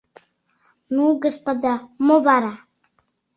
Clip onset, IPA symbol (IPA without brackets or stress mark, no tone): n